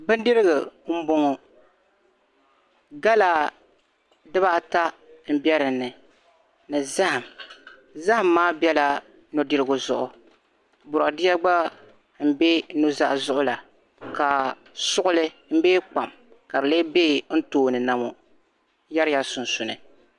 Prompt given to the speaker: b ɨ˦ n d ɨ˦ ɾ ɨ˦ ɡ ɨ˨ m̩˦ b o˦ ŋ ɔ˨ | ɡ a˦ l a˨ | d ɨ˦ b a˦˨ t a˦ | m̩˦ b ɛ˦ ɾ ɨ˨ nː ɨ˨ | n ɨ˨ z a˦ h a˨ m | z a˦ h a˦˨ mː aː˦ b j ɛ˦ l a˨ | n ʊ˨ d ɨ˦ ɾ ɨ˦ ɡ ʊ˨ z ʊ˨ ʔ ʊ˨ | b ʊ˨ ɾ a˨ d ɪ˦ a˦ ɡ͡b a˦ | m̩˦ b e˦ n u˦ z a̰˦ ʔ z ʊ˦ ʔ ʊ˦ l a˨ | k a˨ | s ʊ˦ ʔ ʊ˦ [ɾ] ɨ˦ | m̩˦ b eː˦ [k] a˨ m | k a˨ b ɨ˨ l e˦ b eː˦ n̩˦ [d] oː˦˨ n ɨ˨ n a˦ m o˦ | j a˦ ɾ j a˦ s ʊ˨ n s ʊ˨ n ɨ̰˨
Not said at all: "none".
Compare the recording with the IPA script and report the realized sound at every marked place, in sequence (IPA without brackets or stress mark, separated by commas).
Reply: l, k͡p, t